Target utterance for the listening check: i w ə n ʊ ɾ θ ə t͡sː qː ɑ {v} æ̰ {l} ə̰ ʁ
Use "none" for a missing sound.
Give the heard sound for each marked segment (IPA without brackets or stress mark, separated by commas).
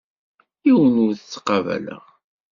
v, l